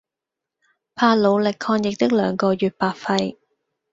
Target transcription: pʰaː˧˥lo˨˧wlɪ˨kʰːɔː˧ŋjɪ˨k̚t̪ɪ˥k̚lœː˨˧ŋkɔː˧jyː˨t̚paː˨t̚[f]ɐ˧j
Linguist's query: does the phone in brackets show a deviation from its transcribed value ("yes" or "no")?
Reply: no